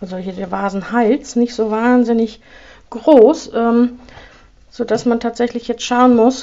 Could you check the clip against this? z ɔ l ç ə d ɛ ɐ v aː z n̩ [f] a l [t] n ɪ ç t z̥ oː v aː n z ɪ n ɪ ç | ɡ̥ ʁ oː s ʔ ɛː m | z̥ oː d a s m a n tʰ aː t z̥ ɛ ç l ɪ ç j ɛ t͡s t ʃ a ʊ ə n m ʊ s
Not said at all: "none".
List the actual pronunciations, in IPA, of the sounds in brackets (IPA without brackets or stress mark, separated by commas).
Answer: h, t͡s